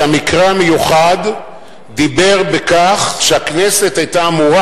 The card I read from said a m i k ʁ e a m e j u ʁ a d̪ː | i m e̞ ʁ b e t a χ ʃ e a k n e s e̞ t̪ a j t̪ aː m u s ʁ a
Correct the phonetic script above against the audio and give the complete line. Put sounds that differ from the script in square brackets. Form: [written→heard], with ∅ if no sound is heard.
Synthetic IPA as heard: a m i k ʁ e a m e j u [ʁ→χ] a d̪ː | i [m→b] e̞ ʁ b e [t→k] a χ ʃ e a k n e s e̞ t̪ a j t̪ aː m u [s→∅] ʁ a